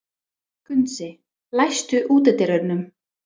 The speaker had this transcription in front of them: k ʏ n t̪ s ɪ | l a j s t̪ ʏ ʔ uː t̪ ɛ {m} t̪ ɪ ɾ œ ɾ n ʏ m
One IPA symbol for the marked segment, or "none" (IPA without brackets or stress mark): none